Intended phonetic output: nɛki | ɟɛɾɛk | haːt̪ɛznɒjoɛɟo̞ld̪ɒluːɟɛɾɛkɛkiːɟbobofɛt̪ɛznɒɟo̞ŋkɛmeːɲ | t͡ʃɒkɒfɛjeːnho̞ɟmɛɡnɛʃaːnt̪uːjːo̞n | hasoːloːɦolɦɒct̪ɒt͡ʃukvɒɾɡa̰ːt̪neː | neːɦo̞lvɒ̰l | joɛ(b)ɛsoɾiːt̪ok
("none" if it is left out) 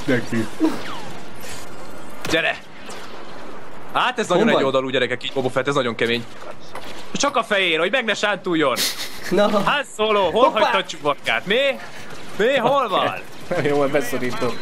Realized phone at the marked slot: b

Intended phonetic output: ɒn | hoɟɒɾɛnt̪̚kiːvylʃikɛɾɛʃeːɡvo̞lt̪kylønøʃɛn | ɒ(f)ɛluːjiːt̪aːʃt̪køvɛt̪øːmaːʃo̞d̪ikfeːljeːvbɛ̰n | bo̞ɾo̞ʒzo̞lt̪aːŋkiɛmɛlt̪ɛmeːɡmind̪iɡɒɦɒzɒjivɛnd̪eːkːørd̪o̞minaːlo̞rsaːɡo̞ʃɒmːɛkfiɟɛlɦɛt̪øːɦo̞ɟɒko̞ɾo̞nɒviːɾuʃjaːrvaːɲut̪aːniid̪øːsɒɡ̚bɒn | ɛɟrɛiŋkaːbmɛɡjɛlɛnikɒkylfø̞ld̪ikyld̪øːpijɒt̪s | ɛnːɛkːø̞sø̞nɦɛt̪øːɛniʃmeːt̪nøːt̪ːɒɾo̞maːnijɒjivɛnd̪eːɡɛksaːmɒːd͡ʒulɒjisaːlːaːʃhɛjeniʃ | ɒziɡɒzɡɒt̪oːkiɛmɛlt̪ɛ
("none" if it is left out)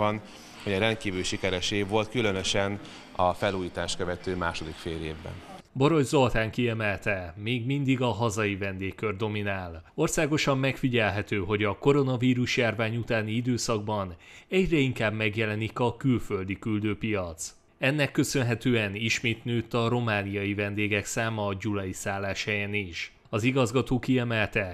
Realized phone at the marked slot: f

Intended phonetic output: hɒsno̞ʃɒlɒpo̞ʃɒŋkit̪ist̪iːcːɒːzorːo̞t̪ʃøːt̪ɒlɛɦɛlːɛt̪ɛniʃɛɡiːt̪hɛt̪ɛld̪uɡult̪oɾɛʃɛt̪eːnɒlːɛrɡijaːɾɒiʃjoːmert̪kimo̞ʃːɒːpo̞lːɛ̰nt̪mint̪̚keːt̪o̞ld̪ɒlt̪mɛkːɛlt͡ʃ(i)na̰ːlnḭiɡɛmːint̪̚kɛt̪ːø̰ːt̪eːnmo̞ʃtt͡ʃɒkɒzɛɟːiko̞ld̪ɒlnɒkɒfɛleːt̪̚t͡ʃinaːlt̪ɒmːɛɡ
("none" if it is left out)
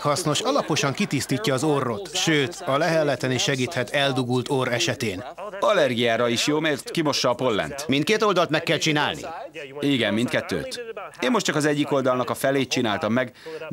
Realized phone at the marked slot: i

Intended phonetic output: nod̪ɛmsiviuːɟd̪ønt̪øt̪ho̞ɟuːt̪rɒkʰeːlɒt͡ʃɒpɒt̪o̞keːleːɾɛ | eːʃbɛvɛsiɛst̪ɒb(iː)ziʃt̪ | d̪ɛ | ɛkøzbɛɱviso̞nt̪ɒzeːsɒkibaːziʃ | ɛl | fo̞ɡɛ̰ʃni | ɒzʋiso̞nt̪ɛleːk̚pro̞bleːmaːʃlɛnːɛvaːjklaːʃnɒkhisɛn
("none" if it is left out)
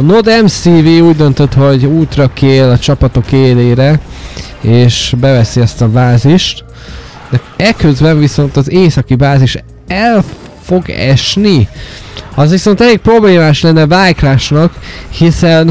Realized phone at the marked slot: aː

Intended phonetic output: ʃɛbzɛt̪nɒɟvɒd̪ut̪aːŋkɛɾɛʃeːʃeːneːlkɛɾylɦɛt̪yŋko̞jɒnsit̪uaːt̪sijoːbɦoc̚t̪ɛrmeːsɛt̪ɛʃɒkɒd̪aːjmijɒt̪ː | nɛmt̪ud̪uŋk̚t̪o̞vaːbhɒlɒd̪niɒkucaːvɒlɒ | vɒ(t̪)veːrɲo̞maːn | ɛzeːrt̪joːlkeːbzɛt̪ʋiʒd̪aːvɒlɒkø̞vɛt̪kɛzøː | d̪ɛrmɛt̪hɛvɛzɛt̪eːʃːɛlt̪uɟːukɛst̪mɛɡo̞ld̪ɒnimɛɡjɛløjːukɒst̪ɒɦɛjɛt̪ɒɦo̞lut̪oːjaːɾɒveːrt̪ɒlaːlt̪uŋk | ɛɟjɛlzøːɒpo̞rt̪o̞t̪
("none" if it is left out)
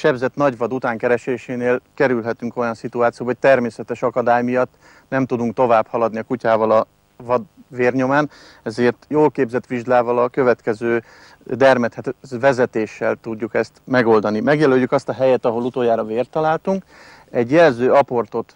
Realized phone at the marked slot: d̪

